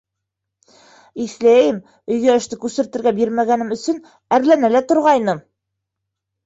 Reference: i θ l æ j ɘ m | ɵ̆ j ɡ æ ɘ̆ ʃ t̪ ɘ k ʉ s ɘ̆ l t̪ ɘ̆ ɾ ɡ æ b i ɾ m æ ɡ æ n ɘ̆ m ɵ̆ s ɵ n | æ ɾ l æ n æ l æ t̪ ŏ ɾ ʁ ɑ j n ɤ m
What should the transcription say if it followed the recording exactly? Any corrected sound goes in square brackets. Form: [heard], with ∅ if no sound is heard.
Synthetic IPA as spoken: i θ l æ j ɘ m | ɵ̆ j ɡ æ ɘ̆ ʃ t̪ ɘ k ʉ s ɘ̆ [ɾ] t̪ ɘ̆ ɾ ɡ æ b i ɾ m æ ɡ æ n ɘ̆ m ɵ̆ s ɵ n | æ ɾ l æ n æ l æ t̪ ŏ ɾ ʁ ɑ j n ɤ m